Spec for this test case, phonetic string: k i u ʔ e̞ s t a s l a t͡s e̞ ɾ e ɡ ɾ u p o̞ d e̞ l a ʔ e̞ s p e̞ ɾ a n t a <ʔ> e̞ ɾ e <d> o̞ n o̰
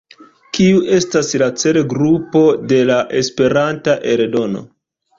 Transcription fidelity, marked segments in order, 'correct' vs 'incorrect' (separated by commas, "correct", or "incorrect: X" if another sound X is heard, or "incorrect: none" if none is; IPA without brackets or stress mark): correct, correct